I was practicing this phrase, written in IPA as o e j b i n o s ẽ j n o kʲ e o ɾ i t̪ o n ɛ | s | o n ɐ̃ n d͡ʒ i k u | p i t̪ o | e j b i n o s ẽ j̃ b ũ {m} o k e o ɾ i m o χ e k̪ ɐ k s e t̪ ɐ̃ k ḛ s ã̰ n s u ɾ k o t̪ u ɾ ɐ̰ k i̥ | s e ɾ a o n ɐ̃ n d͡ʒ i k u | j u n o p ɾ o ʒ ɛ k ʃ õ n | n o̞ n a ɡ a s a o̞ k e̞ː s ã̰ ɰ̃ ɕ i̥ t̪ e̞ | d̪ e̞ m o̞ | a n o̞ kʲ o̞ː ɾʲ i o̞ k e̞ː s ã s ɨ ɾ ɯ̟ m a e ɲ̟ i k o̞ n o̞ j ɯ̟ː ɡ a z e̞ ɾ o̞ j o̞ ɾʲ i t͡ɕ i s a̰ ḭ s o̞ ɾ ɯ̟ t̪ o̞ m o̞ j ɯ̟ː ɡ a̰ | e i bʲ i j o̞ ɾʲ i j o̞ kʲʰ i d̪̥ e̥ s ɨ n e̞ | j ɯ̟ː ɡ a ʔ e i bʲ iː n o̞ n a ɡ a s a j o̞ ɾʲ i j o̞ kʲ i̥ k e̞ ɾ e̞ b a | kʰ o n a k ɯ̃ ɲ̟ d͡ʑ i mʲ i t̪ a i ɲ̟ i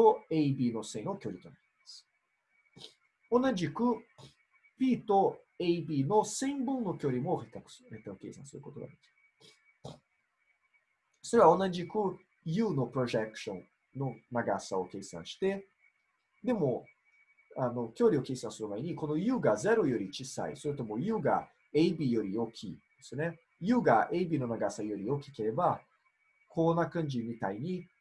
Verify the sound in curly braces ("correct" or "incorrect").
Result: incorrect